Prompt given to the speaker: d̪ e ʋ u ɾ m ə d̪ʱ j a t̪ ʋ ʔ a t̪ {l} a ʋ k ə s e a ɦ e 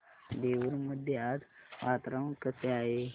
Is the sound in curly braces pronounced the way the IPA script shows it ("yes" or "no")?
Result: no